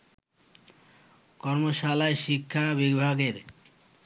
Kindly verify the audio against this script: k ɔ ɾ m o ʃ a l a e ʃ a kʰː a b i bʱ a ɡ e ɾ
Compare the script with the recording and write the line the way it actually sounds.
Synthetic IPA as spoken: k ɔ ɾ m o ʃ a l a e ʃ i kʰː a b i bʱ a ɡ e ɾ